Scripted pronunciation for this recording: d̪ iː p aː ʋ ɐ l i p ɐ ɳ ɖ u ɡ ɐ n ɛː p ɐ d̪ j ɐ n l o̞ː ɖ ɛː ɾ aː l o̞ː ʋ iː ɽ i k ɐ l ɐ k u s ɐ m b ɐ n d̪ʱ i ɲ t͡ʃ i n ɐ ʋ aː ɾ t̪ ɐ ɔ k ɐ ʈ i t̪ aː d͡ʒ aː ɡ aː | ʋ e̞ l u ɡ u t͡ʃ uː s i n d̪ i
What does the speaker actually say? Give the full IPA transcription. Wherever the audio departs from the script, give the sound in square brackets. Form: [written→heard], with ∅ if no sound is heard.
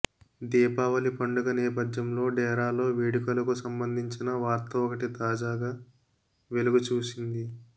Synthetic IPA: d̪ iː p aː ʋ ɐ l i p ɐ ɳ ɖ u ɡ ɐ n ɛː p ɐ d̪ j ɐ [n→m] l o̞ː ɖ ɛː ɾ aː l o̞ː ʋ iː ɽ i k ɐ l ɐ k u s ɐ m b ɐ n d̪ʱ i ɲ t͡ʃ i n ɐ ʋ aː ɾ t̪ ɐ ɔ k ɐ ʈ i t̪ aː d͡ʒ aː ɡ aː | ʋ e̞ l u ɡ u t͡ʃ uː s i n d̪ i